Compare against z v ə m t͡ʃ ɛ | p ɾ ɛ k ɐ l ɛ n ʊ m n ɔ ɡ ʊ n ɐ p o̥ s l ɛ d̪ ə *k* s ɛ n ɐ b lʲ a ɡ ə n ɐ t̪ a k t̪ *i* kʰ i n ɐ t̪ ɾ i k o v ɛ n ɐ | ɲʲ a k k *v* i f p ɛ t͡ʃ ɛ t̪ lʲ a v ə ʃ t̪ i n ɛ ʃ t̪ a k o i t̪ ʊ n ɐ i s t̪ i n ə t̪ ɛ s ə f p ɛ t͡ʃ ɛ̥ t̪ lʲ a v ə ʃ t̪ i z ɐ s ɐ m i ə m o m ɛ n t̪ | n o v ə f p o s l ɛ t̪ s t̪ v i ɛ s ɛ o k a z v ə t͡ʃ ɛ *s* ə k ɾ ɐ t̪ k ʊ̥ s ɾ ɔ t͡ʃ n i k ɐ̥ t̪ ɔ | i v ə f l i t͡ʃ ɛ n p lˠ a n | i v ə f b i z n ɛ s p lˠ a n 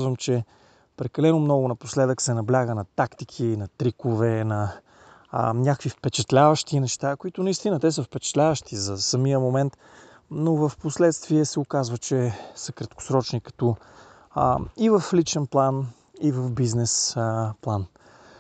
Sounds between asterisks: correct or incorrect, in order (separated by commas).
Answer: correct, correct, correct, correct